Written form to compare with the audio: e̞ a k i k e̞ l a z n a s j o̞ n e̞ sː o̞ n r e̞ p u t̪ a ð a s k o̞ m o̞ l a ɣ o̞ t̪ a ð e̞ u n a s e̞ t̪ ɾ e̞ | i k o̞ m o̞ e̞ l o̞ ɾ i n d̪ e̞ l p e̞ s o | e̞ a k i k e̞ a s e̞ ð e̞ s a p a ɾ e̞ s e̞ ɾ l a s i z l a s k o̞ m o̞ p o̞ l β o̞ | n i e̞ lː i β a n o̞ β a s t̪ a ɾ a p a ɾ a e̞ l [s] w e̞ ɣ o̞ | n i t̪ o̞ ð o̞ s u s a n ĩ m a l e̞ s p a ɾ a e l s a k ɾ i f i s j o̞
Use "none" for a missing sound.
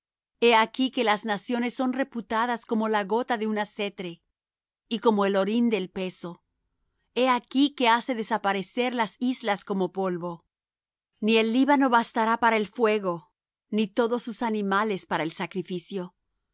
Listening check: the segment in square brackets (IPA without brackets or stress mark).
f